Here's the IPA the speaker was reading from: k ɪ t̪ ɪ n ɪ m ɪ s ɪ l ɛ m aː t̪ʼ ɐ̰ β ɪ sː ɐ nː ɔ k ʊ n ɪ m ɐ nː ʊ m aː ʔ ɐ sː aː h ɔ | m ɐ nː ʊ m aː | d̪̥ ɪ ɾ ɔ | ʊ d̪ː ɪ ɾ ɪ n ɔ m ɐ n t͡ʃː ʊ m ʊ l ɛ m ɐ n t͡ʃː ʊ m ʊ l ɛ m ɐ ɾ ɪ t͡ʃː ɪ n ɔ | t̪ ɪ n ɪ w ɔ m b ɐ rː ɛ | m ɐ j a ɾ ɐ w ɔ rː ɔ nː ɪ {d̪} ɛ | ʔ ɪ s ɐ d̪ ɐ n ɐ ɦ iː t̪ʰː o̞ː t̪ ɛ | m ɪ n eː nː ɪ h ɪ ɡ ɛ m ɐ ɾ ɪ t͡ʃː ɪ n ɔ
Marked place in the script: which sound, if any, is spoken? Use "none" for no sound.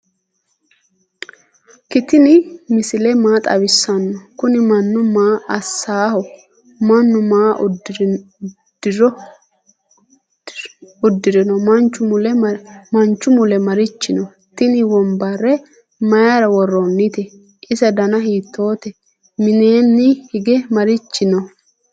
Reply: t̪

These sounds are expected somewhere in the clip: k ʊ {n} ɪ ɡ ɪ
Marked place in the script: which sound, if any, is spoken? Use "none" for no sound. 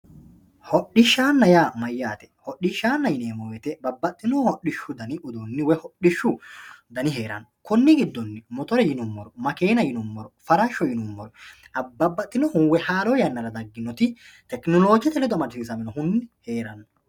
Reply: nː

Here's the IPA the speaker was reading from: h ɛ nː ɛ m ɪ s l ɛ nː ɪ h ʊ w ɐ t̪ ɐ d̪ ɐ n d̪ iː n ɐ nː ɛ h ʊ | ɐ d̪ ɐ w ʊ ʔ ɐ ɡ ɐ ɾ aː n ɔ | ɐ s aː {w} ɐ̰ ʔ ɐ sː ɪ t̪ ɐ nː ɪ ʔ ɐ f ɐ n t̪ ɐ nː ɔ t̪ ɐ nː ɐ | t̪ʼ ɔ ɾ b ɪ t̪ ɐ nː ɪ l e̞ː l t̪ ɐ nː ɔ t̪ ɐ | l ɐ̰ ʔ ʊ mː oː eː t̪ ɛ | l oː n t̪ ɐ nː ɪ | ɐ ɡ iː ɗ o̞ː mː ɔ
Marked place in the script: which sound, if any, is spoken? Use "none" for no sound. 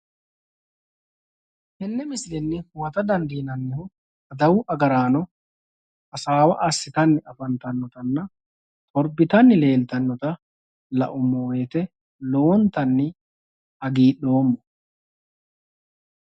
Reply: w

